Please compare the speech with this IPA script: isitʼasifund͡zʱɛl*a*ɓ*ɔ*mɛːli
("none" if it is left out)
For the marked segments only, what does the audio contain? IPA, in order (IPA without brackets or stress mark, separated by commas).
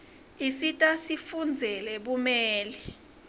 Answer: ɛ, u